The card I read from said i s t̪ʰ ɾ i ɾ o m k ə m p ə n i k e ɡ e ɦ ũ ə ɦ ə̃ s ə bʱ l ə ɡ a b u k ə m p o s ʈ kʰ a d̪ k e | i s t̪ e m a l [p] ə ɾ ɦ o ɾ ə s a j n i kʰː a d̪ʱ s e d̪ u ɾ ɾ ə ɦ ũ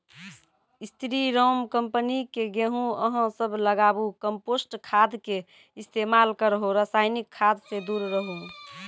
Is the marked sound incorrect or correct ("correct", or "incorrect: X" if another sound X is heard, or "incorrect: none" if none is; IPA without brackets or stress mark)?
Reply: incorrect: k